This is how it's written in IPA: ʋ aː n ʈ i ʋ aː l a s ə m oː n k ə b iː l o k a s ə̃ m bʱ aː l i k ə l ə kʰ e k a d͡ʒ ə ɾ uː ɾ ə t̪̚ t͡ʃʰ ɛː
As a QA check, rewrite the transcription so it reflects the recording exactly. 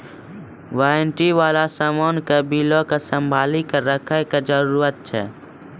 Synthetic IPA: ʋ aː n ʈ i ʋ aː l a s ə m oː n k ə b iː l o k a s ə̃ m bʱ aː l i k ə ɾ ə kʰ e k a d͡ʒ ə ɾ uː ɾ ə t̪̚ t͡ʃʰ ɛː